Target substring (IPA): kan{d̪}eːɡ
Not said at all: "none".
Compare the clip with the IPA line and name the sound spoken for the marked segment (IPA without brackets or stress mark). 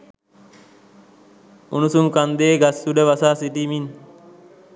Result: d̪